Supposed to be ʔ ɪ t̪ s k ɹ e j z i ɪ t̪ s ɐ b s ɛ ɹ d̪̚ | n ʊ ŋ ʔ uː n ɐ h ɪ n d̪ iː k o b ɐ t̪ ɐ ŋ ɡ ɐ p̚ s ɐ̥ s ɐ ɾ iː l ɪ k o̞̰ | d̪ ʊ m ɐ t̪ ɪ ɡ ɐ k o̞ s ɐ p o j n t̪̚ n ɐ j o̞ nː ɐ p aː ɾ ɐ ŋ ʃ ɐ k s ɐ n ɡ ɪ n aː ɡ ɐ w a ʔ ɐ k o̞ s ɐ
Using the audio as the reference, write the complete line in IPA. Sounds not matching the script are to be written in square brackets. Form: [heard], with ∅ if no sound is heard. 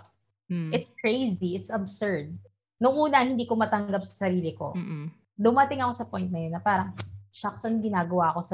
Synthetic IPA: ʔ ɪ t̪ s k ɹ e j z i ɪ t̪ s ɐ b s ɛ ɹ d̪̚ | n ʊ ŋ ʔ uː n ɐ h ɪ n d̪ iː k o [m] ɐ t̪ ɐ ŋ ɡ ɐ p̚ s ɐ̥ s ɐ ɾ iː l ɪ k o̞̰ | d̪ ʊ m ɐ t̪ ɪ [ŋ] ɐ k o̞ s ɐ p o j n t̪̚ n ɐ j o̞ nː ɐ p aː ɾ ɐ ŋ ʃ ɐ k s ɐ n ɡ ɪ n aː ɡ ɐ w a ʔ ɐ k o̞ s ɐ